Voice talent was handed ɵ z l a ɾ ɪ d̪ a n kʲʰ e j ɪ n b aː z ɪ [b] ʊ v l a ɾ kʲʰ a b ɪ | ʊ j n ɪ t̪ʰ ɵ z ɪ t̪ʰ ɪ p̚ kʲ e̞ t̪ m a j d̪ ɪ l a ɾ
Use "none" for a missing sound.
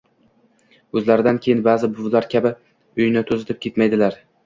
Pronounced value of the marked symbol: b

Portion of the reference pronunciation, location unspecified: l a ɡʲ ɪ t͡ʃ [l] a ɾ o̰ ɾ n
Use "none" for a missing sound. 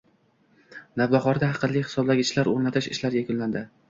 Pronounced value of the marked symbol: l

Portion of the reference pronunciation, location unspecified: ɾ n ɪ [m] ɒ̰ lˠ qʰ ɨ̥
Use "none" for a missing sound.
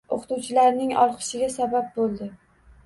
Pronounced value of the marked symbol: ŋ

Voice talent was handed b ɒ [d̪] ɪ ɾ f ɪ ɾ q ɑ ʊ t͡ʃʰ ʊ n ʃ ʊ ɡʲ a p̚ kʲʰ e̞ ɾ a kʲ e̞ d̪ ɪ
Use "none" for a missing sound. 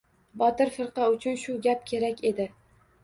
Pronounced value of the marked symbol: t̪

